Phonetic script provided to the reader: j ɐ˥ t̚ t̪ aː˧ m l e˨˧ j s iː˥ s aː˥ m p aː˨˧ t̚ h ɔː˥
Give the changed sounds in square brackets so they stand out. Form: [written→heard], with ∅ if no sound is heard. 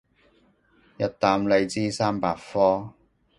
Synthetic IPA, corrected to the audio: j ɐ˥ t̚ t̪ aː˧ m l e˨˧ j [s→t͡s] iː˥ s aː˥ m p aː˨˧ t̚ [h→f] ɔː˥

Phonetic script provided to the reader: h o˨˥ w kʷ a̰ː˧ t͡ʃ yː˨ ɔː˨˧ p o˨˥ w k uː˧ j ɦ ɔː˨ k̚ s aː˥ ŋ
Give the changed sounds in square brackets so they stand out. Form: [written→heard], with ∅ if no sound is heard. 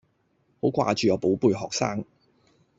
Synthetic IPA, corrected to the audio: h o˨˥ w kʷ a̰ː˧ t͡ʃ yː˨ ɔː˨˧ p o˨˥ w [k→p] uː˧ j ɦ ɔː˨ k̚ s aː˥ ŋ

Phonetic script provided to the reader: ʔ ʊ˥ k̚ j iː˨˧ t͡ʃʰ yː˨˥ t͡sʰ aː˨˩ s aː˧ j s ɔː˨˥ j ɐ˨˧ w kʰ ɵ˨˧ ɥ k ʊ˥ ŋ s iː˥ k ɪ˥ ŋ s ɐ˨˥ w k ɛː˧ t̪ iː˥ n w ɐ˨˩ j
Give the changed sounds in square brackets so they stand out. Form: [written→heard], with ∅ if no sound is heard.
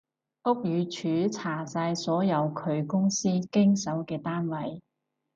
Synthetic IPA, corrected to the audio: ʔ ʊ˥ k̚ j [iː˨˧→yː˨˧] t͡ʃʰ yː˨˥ t͡sʰ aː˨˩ s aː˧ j s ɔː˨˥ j ɐ˨˧ w kʰ ɵ˨˧ ɥ k ʊ˥ ŋ s iː˥ k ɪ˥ ŋ s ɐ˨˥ w k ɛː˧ t̪ [iː˥→aː˥] n w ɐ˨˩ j

